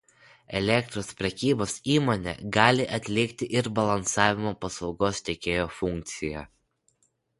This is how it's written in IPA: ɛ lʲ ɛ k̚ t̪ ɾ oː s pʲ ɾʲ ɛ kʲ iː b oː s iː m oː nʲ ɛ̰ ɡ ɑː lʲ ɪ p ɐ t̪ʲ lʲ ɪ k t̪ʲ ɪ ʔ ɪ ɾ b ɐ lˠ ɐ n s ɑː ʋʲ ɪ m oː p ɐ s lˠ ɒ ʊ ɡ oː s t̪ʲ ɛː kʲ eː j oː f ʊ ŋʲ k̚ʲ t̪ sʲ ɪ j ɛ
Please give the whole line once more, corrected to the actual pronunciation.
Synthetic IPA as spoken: ɛ lʲ ɛ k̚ t̪ ɾ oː s pʲ ɾʲ ɛ kʲ iː b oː s iː m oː nʲ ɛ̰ ɡ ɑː lʲ ɪ ʔ ɐ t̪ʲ lʲ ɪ k t̪ʲ ɪ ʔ ɪ ɾ b ɐ lˠ ɐ n s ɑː ʋʲ ɪ m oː p ɐ s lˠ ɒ ʊ ɡ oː s t̪ʲ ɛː kʲ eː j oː f ʊ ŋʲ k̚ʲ t̪ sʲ ɪ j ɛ

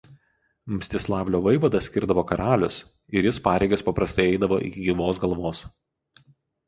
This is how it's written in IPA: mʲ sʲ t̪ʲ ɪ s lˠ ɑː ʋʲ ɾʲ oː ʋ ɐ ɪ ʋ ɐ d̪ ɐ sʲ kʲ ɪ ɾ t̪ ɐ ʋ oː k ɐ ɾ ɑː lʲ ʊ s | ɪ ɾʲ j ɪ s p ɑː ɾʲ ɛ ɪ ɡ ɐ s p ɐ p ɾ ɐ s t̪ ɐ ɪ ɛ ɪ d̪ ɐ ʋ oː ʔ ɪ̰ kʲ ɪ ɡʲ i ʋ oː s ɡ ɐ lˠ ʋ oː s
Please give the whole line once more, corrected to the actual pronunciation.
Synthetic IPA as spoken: mʲ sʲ t̪ʲ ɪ s lˠ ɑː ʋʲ lʲ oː ʋ ɐ ɪ ʋ ɐ d̪ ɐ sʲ kʲ ɪ ɾ d̪ ɐ ʋ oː k ɐ ɾ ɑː lʲ ʊ s | ɪ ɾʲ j ɪ s p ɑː ɾʲ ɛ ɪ ɡ ɐ s p ɐ p ɾ ɐ s t̪ ɐ ɪ ɛ ɪ d̪ ɐ ʋ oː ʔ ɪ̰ kʲ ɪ ɡʲ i ʋ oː s ɡ ɐ lˠ ʋ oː s

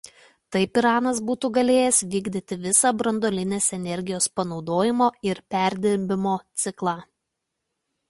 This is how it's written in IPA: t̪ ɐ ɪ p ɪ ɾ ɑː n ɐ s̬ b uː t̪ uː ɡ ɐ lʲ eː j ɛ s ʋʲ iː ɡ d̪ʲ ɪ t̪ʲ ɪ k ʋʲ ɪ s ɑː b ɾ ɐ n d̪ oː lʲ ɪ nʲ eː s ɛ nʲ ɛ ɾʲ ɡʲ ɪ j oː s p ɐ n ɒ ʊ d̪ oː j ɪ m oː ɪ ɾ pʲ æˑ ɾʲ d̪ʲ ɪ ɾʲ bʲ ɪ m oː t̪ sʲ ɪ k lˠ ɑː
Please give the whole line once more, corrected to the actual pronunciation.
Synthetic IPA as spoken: t̪ ɐ ɪ p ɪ ɾ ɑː n ɐ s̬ b uː t̪ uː ɡ ɐ lʲ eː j ɛ s ʋʲ iː ɡ d̪ʲ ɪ t̪ʲ ɪ ʋʲ ɪ s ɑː b ɾ ɐ n d̪ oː lʲ ɪ nʲ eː s ɛ nʲ ɛ ɾʲ ɡʲ ɪ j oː s p ɐ n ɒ ʊ d̪ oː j ɪ m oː ɪ ɾ pʲ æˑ ɾʲ d̪ʲ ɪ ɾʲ bʲ ɪ m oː t̪ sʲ ɪ k lˠ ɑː

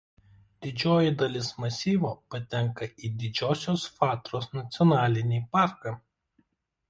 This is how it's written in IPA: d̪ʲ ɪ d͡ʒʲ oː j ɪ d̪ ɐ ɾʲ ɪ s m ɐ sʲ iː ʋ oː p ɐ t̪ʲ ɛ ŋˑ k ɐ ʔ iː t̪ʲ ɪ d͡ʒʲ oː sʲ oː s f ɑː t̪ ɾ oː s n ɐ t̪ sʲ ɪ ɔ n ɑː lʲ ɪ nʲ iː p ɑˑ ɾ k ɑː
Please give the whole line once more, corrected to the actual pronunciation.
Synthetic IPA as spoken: d̪ʲ ɪ d͡ʒʲ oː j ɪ d̪ ɐ lʲ ɪ s m ɐ sʲ iː ʋ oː p ɐ t̪ʲ ɛ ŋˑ k ɐ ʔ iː d̪ʲ ɪ d͡ʒʲ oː sʲ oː s f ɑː t̪ ɾ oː s n ɐ t̪ sʲ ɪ ɔ n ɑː lʲ ɪ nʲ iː p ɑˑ ɾ k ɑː

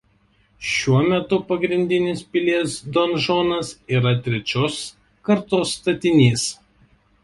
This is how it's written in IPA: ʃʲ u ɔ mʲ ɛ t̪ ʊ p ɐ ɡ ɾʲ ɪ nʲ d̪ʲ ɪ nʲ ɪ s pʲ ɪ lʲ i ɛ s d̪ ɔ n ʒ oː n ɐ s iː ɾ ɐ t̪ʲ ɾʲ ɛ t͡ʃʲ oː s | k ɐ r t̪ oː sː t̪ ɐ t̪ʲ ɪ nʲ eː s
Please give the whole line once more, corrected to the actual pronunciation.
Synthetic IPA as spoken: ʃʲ u ɔ mʲ ɛ t̪ ʊ p ɐ ɡ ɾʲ ɪ nʲ d̪ʲ ɪ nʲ ɪ s pʲ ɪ lʲ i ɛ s d̪ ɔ n ʒ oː n ɐ s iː ɾ ɐ t̪ʲ ɾʲ ɛ t͡ʃʲ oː s | k ɐ ɾ t̪ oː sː t̪ ɐ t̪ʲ ɪ nʲ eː s

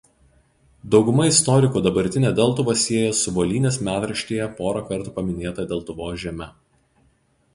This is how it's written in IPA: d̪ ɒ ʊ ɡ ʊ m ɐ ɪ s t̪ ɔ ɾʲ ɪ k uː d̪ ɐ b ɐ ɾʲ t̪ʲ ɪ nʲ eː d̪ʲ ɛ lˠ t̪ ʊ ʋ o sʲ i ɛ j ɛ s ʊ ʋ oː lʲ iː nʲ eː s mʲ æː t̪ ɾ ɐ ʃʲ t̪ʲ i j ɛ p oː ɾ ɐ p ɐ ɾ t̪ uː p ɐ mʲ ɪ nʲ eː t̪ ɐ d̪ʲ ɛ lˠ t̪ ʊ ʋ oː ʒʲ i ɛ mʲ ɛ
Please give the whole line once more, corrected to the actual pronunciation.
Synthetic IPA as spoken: d̪ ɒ ʊ ɡ ʊ m ɐ ɪ s t̪ ɔ ɾʲ ɪ k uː d̪ ɐ b ɐ ɾʲ t̪ʲ ɪ nʲ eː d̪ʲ ɛ lˠ t̪ ʊ ʋ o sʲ i ɛ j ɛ s ʊ ʋ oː lʲ iː nʲ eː s mʲ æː t̪ ɾ ɐ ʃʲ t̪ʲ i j ɛ p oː ɾ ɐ k ɐ ɾ t̪ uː p ɐ mʲ ɪ nʲ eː t̪ ɐ d̪ʲ ɛ lˠ t̪ ʊ ʋ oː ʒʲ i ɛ mʲ ɛ

